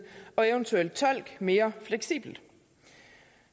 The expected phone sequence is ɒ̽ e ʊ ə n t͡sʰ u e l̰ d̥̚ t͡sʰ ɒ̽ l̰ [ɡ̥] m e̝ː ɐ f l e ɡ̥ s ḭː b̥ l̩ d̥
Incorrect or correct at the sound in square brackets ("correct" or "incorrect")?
correct